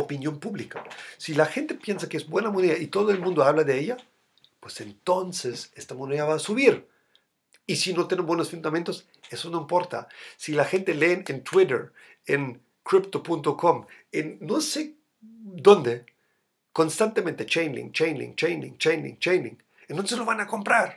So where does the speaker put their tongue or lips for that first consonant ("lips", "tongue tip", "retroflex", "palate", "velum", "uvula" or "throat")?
lips